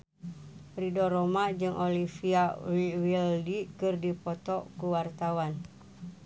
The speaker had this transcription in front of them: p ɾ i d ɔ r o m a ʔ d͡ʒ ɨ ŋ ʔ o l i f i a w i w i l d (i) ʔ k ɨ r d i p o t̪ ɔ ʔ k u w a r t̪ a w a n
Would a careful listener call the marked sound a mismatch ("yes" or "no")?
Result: no